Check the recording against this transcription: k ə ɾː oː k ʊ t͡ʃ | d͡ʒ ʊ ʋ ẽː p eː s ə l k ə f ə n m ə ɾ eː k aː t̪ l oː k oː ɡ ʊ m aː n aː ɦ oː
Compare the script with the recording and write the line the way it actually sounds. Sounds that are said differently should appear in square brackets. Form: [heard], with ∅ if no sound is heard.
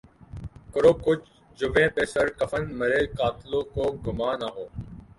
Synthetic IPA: k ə [ɾ] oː k ʊ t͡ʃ | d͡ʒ ʊ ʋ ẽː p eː s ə [ɾ] k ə f ə n m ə ɾ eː k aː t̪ l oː k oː ɡ ʊ m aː n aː ɦ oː